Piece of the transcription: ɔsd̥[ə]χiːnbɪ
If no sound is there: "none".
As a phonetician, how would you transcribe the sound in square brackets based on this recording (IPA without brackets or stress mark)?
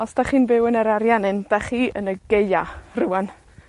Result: a